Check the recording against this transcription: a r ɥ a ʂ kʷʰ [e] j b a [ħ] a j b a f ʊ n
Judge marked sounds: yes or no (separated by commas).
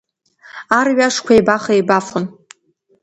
no, no